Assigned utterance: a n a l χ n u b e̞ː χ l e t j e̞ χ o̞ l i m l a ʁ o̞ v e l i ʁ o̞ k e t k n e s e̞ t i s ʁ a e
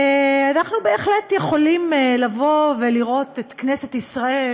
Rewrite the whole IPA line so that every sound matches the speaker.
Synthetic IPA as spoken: a n a χ n u b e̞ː χ l e t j e̞ χ o̞ l i m l a v o̞ v e l i ʁ o̞ t e t k n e s e̞ t i s ʁ a e